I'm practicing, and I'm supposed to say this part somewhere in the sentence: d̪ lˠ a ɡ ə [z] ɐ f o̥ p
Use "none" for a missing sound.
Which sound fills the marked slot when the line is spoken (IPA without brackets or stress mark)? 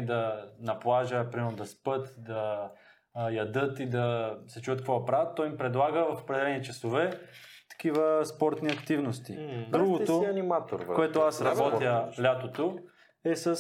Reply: v